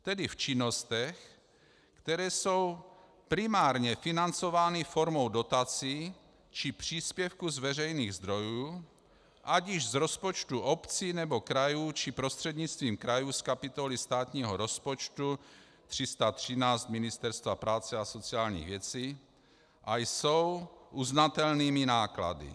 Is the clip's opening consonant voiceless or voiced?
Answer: voiceless